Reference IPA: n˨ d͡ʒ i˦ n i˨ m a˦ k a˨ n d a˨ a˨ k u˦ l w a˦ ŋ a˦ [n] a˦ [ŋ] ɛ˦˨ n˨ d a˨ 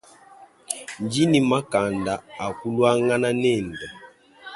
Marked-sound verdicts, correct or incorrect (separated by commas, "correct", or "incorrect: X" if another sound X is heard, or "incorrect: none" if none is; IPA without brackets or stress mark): correct, incorrect: n